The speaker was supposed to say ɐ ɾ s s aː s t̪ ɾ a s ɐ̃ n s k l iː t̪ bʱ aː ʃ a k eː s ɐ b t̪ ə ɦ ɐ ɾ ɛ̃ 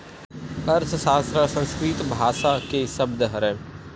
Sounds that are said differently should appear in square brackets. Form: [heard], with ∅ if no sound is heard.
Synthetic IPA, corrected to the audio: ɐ ɾ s s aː s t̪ ɾ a s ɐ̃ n s k [ɾ] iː t̪ bʱ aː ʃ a k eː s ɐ b [d̪] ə ɦ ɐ ɾ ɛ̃